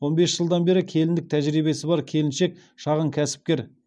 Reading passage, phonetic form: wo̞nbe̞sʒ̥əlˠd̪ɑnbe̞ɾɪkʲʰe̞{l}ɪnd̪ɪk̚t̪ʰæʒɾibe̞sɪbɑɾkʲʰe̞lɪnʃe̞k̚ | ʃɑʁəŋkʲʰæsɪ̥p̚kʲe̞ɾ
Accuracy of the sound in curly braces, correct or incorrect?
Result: correct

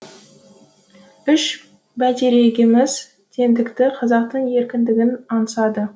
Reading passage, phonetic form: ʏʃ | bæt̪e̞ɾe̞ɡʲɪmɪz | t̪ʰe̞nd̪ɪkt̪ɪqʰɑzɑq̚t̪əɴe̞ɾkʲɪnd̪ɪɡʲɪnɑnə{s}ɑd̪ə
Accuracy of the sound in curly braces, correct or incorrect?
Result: correct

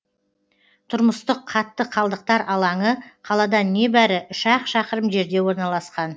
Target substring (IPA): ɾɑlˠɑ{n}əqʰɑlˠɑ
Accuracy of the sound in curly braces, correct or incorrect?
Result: incorrect: ɴ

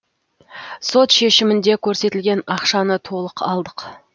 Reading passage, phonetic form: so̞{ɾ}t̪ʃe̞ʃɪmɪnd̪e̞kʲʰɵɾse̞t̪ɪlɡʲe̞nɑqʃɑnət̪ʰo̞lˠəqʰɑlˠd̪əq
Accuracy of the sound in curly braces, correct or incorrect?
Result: incorrect: none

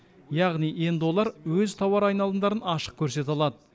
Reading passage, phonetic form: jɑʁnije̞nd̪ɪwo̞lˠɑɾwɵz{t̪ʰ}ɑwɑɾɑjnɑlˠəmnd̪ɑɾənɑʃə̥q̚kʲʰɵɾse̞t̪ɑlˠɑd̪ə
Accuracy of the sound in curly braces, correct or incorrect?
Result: correct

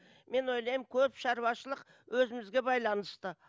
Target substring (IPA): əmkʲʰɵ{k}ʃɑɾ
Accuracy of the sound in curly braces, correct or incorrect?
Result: incorrect: p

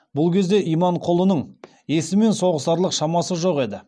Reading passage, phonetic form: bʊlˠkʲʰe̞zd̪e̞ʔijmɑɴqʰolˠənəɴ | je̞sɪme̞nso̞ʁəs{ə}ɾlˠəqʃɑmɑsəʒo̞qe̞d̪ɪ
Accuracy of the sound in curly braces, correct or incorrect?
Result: incorrect: ɑ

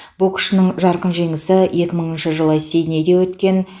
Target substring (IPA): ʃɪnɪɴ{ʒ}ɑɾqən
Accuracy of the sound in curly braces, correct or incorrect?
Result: correct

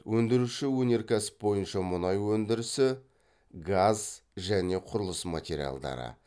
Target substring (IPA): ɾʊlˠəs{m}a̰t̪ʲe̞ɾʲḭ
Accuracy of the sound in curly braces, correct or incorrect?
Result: correct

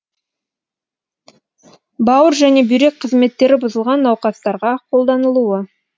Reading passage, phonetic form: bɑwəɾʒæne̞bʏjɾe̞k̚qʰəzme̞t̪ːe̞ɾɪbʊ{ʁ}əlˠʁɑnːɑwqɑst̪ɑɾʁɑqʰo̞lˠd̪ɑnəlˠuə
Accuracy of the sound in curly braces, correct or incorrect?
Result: incorrect: z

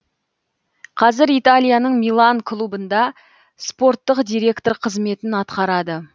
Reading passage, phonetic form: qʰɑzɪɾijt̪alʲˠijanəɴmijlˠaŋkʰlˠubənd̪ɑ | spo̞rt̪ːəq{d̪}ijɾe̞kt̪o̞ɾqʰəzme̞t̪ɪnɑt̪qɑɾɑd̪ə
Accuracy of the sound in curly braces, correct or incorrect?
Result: correct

